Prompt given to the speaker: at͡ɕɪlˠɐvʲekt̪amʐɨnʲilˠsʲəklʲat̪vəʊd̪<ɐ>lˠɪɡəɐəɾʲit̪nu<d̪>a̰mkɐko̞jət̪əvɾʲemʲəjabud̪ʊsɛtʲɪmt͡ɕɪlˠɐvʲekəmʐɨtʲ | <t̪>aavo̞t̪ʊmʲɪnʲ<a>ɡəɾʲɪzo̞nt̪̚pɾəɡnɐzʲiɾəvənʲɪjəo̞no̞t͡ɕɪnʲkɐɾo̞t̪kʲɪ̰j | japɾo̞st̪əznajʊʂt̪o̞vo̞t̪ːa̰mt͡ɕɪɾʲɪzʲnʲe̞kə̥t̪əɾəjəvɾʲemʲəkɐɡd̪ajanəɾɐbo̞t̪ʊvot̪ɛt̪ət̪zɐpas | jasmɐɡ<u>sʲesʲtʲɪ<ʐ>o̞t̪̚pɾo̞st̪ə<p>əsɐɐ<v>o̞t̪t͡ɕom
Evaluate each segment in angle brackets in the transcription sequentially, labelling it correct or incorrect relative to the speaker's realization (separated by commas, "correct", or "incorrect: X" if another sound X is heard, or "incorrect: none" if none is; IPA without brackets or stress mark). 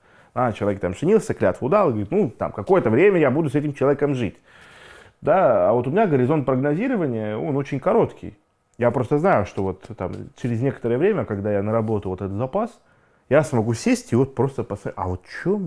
incorrect: a, incorrect: t̪, incorrect: d̪, correct, correct, incorrect: v, correct, correct